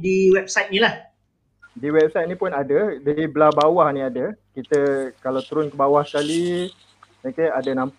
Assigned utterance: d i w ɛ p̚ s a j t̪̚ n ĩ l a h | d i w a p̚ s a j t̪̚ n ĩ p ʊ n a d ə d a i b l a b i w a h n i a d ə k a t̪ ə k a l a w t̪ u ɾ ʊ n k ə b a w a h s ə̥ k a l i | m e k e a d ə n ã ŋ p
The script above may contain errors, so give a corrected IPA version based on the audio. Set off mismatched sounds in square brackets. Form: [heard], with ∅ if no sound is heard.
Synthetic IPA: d i w ɛ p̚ s a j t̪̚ n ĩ l a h | d i w [ɛ] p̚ s a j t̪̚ n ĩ p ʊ n a d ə d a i b l a b [a] w a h n i a d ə k [i] t̪ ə k a l a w t̪ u ɾ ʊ n k ə b a w a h s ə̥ k a l i | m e k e a d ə n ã [m] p